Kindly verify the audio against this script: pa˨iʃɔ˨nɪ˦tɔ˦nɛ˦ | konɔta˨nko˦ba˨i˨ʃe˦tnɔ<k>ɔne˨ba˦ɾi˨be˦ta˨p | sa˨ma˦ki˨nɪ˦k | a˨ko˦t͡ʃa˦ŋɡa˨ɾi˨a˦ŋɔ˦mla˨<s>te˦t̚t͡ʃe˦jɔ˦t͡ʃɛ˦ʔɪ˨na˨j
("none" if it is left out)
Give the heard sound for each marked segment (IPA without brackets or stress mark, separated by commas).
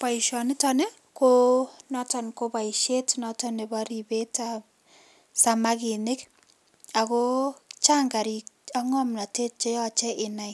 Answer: t, none